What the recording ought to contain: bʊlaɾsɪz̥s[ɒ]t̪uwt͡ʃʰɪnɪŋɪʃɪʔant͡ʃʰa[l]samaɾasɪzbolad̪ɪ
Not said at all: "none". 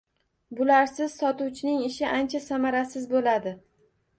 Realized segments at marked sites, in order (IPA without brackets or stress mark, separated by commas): ɒ, none